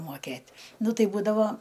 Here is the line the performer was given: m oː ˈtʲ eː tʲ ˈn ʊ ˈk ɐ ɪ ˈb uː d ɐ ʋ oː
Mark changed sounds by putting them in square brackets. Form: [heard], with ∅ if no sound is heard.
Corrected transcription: m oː [ˈkʲ] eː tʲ ˈn ʊ [ˈt] ɐ ɪ ˈb uː d ɐ ʋ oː

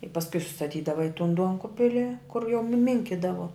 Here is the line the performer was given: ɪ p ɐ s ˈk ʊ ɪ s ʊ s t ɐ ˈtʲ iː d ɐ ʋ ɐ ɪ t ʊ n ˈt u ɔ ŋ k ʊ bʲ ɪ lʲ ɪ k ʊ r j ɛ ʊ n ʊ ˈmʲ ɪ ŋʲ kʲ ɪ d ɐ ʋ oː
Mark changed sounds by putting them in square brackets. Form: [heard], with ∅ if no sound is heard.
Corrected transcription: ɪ p ɐ s ˈk ʊ ɪ s ʊ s t ɐ ˈtʲ iː d ɐ ʋ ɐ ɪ t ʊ n [ˈd] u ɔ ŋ k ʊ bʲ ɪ lʲ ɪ k ʊ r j ɛ ʊ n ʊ ˈmʲ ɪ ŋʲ kʲ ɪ d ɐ ʋ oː

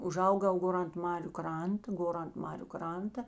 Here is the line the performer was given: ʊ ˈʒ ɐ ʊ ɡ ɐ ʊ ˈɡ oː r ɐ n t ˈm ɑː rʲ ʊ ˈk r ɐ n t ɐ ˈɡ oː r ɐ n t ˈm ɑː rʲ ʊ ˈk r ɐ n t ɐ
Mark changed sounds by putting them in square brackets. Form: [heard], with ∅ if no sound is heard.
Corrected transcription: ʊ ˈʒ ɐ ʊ ɡ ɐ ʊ ˈɡ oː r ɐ n t ˈm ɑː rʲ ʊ ˈk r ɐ n t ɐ ˈɡ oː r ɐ n t ˈm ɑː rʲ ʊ ˈk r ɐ n t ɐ

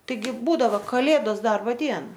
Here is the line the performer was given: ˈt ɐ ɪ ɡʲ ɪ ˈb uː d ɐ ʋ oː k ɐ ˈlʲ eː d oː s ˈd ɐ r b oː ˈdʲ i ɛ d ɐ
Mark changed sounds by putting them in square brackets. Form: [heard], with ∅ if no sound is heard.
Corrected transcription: ˈt ɐ ɪ ɡʲ ɪ ˈb uː d ɐ ʋ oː k ɐ ˈlʲ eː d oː s ˈd ɐ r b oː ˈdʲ i ɛ [n] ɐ

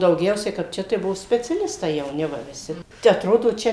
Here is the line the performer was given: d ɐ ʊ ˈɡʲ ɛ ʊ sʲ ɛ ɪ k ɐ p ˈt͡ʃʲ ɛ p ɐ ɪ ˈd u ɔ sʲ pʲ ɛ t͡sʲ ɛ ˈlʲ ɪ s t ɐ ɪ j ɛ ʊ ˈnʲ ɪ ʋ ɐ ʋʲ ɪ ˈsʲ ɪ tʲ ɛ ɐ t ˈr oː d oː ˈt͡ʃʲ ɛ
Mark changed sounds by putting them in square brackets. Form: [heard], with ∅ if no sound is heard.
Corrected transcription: d ɐ ʊ ˈɡʲ ɛ ʊ sʲ ɛ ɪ k ɐ p ˈt͡ʃʲ ɛ [t] ɐ ɪ [ˈb] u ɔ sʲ pʲ ɛ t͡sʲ ɛ ˈlʲ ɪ s t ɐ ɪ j ɛ ʊ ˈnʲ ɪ ʋ ɐ ʋʲ ɪ ˈsʲ ɪ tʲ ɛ ɐ t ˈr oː d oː ˈt͡ʃʲ ɛ

